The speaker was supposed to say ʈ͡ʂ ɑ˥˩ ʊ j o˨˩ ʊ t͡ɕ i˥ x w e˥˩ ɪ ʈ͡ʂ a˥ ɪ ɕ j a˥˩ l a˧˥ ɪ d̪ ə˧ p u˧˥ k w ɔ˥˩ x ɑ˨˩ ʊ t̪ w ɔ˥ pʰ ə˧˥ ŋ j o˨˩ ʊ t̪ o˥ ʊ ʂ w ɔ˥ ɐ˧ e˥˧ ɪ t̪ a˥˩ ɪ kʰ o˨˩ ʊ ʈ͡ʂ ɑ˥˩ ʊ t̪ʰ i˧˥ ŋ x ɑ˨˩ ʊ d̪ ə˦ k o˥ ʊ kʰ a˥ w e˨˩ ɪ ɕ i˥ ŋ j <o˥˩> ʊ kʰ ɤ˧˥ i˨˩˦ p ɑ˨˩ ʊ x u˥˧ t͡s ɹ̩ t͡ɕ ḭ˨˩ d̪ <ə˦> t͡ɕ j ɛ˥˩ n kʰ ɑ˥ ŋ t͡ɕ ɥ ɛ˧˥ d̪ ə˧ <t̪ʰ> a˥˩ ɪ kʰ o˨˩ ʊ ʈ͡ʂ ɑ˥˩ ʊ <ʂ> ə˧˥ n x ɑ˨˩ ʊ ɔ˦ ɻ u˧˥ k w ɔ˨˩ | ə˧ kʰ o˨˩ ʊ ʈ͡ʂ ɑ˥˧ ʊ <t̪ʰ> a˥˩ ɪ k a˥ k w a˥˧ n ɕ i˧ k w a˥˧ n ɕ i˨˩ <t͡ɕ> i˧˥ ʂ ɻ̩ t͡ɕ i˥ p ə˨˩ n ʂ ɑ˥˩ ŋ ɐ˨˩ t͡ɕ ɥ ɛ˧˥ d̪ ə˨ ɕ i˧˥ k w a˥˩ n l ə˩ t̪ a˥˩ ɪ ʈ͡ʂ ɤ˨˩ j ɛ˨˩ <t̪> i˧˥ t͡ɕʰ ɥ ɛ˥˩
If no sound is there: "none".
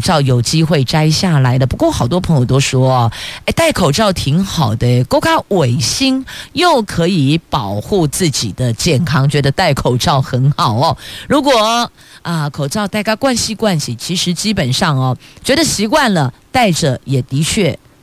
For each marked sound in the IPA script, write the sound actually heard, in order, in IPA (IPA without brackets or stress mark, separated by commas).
o˥˩, ə˦, t̪, x, t̪, t͡ɕʰ, t̪